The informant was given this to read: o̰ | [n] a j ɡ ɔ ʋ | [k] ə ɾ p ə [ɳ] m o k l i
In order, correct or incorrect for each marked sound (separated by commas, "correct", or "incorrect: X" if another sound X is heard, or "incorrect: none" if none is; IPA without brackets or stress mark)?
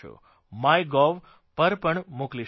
incorrect: m, incorrect: p, correct